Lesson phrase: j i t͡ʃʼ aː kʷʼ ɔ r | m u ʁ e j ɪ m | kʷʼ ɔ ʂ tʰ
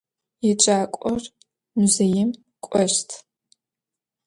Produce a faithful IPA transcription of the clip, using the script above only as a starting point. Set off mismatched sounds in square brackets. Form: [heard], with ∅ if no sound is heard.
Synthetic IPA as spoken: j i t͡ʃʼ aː kʷʼ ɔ r | m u [z] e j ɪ m | kʷʼ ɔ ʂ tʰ